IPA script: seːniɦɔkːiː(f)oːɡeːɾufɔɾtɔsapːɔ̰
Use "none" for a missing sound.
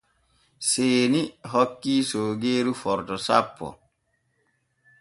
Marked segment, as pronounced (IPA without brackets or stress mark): s